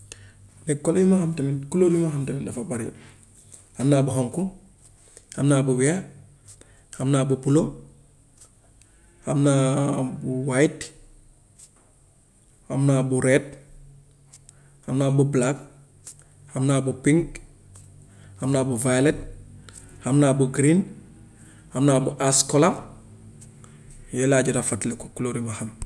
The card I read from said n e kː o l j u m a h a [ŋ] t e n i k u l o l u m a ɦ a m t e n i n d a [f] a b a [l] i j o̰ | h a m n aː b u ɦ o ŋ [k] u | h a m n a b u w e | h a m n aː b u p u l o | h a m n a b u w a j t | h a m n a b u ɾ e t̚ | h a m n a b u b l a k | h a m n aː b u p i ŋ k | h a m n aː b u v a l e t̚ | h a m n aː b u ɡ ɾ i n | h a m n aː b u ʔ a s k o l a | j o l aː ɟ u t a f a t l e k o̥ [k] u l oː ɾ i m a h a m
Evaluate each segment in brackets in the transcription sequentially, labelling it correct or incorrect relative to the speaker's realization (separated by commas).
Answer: incorrect, correct, incorrect, correct, correct